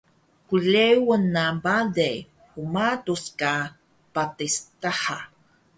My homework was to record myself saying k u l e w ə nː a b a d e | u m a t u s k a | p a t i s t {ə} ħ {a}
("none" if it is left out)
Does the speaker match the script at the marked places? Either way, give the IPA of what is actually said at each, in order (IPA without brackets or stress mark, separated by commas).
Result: a, a